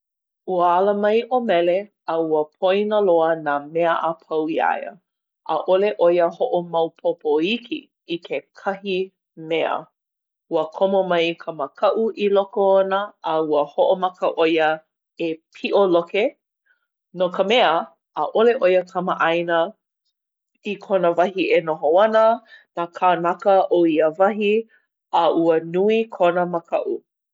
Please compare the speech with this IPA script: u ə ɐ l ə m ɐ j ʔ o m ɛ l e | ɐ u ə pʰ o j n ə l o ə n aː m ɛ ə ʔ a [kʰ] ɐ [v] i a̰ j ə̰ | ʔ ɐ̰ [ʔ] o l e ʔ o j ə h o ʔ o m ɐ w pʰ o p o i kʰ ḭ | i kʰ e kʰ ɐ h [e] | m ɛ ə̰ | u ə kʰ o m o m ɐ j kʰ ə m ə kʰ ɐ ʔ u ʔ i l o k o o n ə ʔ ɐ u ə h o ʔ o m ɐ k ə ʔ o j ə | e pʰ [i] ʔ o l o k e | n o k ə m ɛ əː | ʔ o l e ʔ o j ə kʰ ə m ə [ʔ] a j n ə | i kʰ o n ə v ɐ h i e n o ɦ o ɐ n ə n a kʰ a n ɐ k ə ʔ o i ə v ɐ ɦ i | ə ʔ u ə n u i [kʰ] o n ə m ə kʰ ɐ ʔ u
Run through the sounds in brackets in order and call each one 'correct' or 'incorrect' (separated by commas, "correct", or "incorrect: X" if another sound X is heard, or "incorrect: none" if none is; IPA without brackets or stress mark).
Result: incorrect: pʰ, incorrect: w, correct, incorrect: i, correct, correct, correct